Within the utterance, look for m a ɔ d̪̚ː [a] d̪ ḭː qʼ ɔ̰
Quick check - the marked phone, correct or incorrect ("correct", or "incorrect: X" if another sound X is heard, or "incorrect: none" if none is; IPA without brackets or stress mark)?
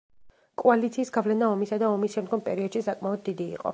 incorrect: i